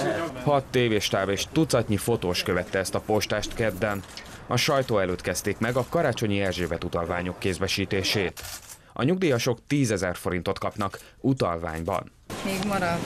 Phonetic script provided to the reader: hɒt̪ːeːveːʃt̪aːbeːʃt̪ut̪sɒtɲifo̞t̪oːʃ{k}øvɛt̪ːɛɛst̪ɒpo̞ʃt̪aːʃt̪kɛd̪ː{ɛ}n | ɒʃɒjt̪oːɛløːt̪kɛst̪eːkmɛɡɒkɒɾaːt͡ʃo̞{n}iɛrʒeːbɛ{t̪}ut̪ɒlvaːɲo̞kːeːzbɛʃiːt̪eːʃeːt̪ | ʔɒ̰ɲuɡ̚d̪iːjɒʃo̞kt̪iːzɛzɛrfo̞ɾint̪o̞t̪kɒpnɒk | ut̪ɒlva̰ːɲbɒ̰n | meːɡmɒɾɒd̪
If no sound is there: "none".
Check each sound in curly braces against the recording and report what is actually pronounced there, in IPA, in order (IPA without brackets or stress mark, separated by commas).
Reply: k, ɛ, ɲ, t̪